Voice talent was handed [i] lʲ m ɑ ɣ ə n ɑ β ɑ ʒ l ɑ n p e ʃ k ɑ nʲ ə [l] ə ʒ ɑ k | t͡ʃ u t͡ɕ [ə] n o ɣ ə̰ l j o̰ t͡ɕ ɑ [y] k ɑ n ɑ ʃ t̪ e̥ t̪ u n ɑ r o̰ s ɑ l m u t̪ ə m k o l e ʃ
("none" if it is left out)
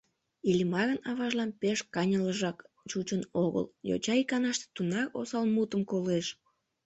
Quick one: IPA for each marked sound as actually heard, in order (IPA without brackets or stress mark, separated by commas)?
i, l, ə, i